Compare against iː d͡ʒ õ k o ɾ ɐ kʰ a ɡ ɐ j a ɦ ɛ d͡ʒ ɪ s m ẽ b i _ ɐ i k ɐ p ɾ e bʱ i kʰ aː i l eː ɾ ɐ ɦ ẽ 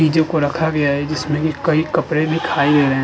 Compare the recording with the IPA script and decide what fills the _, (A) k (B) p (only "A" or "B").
A